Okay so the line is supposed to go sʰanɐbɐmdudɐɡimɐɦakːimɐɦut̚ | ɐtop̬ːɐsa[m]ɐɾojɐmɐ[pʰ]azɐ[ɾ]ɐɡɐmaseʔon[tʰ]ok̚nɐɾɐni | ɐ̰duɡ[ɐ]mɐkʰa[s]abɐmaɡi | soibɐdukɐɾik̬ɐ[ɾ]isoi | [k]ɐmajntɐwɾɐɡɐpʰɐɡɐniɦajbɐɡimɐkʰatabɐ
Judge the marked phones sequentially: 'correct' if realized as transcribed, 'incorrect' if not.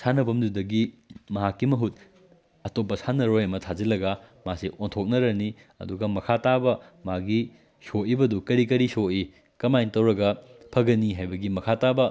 incorrect: n, incorrect: tʰ, incorrect: l, correct, correct, incorrect: t, correct, correct

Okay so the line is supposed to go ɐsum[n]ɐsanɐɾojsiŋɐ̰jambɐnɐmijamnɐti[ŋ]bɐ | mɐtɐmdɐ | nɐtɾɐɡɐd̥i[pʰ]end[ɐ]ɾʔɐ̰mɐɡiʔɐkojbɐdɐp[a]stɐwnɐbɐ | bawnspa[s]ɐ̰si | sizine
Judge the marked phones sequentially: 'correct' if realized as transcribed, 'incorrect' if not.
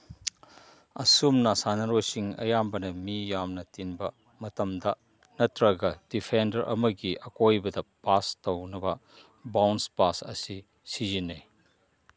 correct, incorrect: n, correct, correct, correct, correct

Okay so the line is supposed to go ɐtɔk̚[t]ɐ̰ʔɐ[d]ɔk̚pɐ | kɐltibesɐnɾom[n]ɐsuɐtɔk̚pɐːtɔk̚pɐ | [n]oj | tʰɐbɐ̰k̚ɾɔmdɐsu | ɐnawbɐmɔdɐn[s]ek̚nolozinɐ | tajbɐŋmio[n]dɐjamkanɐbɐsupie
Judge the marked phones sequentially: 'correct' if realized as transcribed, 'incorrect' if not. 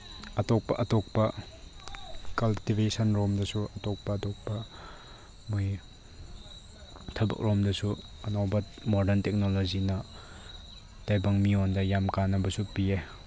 incorrect: p, incorrect: t, incorrect: d, incorrect: m, incorrect: t, correct

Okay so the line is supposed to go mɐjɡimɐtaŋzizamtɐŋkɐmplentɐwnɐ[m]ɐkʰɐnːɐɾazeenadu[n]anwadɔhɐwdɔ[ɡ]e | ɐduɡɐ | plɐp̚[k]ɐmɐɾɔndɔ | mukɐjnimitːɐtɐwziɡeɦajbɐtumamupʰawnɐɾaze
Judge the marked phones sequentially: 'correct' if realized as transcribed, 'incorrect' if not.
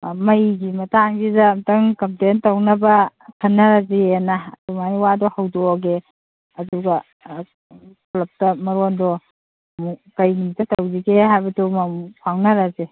incorrect: b, incorrect: m, correct, incorrect: t

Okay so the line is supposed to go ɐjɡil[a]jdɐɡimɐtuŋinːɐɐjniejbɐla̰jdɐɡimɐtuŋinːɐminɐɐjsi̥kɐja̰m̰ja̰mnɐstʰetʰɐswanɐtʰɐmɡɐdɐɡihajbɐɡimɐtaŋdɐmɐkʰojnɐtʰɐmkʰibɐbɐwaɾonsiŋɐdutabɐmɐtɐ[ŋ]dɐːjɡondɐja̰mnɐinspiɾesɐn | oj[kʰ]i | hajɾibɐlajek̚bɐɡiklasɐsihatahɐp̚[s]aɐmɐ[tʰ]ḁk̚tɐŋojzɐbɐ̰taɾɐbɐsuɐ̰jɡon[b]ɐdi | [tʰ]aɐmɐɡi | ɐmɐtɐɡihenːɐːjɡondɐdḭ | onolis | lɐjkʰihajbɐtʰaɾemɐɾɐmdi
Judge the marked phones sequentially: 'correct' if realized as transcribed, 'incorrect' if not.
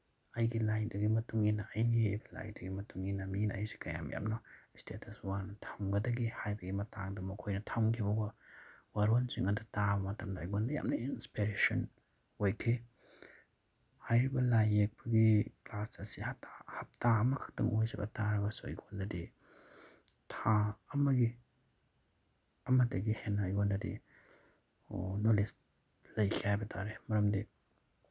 correct, incorrect: m, correct, incorrect: t, incorrect: kʰ, incorrect: d, correct

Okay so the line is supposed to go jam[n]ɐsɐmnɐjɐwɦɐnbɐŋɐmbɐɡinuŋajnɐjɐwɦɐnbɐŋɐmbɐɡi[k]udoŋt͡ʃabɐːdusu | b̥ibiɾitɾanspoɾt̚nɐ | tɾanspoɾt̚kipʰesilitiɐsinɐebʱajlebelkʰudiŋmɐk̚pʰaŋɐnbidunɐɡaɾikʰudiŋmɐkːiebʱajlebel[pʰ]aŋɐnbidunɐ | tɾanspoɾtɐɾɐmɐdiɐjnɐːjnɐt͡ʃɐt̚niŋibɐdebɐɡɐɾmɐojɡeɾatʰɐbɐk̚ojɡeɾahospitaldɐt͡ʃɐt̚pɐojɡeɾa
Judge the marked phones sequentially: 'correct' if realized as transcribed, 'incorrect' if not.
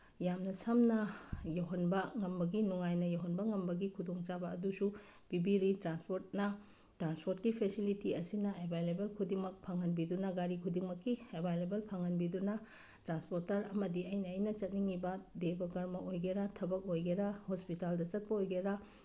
correct, incorrect: kʰ, correct

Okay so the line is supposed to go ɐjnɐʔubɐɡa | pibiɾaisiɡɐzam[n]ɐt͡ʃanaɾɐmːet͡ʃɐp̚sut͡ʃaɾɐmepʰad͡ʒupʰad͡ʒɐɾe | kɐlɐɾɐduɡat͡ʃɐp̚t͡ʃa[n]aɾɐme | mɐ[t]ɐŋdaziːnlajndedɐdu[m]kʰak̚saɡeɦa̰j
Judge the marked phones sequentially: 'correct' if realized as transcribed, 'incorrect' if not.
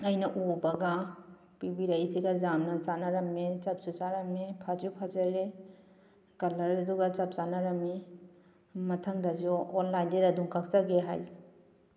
correct, correct, incorrect: tʰ, incorrect: ŋ

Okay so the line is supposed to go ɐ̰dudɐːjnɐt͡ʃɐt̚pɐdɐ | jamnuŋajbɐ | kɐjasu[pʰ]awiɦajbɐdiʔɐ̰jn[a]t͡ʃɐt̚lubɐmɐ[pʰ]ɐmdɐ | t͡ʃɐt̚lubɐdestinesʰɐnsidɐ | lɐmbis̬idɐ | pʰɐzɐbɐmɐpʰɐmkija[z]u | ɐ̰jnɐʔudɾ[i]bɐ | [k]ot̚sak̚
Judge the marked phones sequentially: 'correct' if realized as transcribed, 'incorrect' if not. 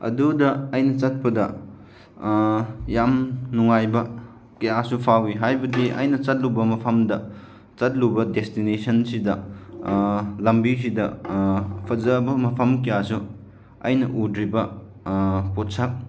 correct, incorrect: ɐ, correct, incorrect: s, correct, incorrect: p

